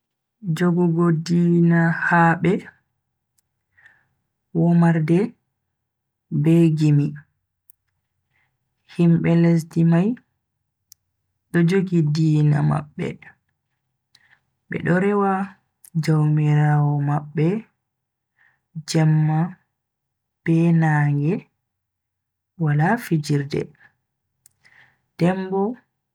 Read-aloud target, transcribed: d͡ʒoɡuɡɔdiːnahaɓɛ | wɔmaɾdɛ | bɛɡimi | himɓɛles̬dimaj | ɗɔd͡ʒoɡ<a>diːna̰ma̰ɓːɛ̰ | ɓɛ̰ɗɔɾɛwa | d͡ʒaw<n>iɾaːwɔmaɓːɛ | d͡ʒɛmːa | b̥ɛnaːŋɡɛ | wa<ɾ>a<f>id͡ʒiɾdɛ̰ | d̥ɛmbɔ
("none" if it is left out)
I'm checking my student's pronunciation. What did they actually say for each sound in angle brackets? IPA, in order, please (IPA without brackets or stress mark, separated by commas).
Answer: i, m, l, f